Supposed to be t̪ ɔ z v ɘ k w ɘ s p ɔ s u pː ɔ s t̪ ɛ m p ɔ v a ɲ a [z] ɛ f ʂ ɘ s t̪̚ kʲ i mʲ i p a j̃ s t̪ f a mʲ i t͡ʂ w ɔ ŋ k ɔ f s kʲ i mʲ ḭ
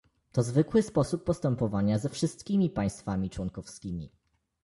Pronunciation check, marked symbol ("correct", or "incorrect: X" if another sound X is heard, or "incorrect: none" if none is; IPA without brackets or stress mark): correct